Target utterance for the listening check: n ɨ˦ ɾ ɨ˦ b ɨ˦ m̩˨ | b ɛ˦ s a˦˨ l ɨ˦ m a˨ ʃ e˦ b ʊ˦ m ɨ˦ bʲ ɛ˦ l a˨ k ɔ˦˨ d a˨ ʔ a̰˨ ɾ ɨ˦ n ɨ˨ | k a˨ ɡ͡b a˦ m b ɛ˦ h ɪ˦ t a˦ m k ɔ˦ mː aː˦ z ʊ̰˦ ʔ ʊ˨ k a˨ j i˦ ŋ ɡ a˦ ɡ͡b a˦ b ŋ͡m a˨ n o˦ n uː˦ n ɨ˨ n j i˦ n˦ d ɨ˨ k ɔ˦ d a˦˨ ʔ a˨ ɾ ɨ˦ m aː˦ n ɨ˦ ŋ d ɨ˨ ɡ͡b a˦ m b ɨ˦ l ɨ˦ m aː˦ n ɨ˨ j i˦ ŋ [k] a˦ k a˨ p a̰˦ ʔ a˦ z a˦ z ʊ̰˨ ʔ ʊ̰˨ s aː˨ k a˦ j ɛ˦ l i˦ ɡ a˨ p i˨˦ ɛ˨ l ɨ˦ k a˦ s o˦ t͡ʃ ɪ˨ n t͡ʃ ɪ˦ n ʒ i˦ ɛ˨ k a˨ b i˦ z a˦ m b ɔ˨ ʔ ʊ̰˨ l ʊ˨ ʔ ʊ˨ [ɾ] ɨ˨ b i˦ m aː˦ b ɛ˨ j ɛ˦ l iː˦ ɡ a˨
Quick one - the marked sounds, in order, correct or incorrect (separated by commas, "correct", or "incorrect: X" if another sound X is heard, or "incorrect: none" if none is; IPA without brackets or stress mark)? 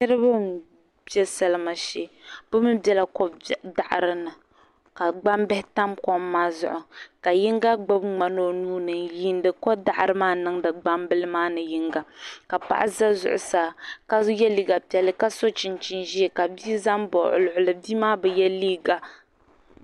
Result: incorrect: ɡ, incorrect: l